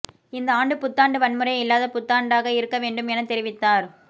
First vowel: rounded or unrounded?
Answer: unrounded